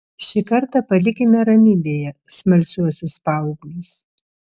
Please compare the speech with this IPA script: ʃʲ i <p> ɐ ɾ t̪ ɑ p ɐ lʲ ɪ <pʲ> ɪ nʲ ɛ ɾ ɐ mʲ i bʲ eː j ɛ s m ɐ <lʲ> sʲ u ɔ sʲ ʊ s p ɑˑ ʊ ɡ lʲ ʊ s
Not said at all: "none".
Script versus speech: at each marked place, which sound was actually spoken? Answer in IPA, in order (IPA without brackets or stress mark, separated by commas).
k, kʲ, lʲ